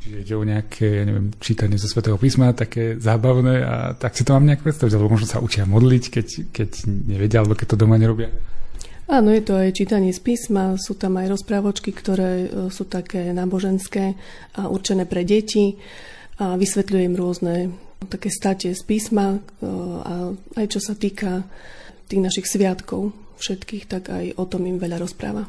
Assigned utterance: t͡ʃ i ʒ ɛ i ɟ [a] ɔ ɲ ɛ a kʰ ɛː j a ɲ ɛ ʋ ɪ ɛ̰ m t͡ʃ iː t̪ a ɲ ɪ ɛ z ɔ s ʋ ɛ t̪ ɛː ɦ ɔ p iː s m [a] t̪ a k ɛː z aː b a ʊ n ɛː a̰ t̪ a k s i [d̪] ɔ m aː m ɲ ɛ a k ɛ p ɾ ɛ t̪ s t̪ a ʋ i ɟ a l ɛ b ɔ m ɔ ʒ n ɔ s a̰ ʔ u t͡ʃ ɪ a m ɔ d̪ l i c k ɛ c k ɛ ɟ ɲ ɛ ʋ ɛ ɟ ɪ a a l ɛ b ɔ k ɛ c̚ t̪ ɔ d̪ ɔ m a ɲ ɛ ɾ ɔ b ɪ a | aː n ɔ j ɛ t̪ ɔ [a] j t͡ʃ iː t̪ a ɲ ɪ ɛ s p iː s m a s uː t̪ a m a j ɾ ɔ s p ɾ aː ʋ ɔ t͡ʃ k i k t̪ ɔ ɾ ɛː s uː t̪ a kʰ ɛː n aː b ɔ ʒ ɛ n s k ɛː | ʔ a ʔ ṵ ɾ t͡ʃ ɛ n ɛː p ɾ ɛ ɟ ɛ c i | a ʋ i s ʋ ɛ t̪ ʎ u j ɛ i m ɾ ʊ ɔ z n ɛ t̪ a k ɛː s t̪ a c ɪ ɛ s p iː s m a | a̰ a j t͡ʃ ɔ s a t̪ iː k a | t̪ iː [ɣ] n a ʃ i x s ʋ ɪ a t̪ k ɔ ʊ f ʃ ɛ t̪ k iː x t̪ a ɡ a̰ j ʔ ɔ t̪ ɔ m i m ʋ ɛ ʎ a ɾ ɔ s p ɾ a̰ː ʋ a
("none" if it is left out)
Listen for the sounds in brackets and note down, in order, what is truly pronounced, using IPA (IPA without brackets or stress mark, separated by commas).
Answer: ɛ, a, t̪, a, ɣ